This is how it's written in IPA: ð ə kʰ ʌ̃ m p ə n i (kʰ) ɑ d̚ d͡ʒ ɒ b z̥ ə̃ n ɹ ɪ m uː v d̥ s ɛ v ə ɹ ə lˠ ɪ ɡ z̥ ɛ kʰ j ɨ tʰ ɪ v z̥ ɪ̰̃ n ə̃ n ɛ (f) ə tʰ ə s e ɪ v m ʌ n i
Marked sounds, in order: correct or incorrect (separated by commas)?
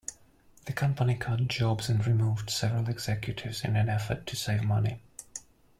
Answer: correct, correct